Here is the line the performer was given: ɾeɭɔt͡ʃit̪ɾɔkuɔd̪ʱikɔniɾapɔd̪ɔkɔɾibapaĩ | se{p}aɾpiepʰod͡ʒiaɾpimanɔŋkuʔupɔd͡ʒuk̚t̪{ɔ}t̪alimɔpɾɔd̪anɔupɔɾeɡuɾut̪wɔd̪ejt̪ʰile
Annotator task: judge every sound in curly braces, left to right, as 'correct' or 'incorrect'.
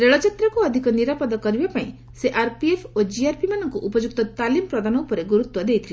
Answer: incorrect: ʔ, correct

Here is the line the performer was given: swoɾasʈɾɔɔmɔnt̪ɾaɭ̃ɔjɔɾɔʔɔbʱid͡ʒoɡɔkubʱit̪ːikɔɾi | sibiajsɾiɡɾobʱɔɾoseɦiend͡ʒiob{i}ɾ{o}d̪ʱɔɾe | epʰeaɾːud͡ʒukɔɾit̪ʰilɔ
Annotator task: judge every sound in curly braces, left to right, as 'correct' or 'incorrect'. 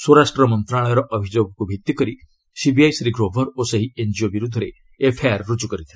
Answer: correct, incorrect: u

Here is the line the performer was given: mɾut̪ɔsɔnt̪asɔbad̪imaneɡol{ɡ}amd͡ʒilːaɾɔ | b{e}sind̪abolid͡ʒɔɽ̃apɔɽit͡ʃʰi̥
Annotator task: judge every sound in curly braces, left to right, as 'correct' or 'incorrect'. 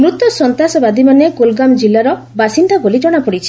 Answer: correct, incorrect: a

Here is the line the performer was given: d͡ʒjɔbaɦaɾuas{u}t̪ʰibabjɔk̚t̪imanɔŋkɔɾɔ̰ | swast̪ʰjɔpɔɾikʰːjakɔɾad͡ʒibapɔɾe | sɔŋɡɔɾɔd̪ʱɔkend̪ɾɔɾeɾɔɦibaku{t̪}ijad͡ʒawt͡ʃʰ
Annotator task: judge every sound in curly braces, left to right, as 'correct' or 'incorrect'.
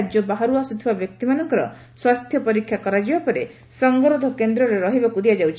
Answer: correct, incorrect: d̪

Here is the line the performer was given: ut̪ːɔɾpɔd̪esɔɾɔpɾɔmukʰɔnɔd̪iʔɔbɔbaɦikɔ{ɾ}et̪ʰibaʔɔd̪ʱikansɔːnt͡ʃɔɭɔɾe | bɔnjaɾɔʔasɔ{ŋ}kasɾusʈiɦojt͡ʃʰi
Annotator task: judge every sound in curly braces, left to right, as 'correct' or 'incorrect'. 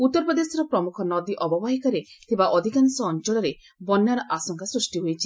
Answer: correct, correct

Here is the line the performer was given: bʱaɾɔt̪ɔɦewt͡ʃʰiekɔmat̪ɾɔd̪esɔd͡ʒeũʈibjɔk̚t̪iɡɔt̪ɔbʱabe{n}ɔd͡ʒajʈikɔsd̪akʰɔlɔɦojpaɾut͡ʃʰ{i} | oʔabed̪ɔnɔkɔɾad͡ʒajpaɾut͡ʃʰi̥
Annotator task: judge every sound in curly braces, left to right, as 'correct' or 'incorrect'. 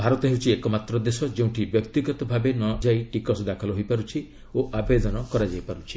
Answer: correct, correct

